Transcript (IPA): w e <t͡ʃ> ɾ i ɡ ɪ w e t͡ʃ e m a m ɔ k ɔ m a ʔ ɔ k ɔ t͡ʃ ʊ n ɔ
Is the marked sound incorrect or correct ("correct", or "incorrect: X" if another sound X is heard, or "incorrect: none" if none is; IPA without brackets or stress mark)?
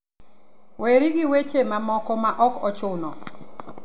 incorrect: none